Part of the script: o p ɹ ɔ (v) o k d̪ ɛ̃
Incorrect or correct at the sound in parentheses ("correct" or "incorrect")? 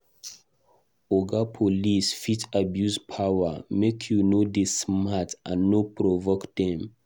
correct